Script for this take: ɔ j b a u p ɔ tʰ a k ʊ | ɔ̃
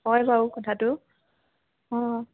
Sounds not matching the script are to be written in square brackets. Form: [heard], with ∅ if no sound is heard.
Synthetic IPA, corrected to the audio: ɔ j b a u [k] ɔ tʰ a [t] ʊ | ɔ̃

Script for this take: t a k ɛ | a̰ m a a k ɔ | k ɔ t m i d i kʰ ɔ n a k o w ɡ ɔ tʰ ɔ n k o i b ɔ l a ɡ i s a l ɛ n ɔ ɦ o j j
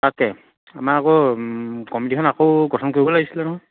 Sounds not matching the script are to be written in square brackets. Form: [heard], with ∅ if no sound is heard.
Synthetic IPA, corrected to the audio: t a k ɛ | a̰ m a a k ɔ | k ɔ [∅] m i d i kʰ ɔ n a k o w ɡ ɔ tʰ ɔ n k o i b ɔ l a ɡ i s [i] l ɛ n ɔ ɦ [ɔ] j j

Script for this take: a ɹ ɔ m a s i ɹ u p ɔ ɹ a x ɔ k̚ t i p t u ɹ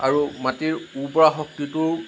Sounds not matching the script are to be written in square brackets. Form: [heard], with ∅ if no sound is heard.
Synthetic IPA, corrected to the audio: a ɹ [u] m a [t] i ɹ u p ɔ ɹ a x ɔ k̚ t i [∅] t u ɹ

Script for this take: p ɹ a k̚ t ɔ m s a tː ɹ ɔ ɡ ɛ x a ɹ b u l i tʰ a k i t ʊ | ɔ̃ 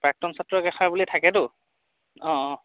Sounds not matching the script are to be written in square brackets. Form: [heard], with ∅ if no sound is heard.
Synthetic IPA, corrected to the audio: p ɹ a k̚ t ɔ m s a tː ɹ ɔ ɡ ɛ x a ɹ b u l i tʰ a k [ɛ] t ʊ | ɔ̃

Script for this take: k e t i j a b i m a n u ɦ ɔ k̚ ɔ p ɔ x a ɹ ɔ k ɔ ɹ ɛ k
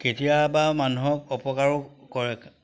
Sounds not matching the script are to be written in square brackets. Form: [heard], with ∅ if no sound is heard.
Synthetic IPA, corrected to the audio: k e t i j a b [a] m a n u ɦ ɔ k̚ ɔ p ɔ [k] a ɹ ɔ k ɔ ɹ ɛ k

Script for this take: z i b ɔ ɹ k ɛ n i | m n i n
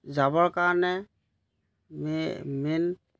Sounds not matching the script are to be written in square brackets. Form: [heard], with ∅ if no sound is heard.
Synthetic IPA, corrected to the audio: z [a] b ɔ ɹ k [a] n [ɛ] | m [m] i n

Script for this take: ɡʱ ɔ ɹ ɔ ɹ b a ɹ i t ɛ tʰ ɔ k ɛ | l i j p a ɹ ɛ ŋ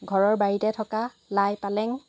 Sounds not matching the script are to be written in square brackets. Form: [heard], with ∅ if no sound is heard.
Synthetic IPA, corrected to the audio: ɡʱ ɔ ɹ ɔ ɹ b a ɹ i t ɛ tʰ ɔ k [a] | l [a] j p a [l] ɛ ŋ

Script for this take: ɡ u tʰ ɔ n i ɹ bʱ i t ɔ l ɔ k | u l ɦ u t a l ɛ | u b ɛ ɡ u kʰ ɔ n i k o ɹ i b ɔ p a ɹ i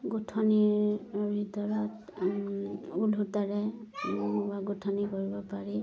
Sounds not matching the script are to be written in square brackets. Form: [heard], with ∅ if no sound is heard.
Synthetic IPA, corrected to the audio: ɡ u tʰ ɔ n i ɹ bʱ i t ɔ [ɹ] ɔ [t] | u l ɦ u t a [ɹ] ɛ | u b [a] ɡ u [tʰ] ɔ n i k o ɹ i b ɔ p a ɹ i

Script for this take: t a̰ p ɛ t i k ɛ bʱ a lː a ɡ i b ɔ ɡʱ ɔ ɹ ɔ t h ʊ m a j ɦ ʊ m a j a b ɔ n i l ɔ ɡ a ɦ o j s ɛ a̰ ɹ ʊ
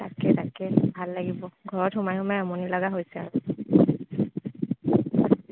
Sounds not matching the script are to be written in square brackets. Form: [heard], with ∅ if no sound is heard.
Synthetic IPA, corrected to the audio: t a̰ [k] ɛ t [a] k ɛ bʱ a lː a ɡ i b ɔ ɡʱ ɔ ɹ ɔ t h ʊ m a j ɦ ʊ m a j a [m] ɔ n i l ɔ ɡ a ɦ o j s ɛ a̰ ɹ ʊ

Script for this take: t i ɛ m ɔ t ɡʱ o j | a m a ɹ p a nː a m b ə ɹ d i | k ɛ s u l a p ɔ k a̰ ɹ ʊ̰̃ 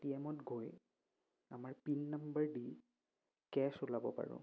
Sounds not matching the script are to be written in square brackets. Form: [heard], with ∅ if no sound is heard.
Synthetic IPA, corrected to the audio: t i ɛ m ɔ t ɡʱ o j | a m a ɹ p [i] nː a m b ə ɹ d i | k ɛ s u l a [b] ɔ [p] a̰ ɹ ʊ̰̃

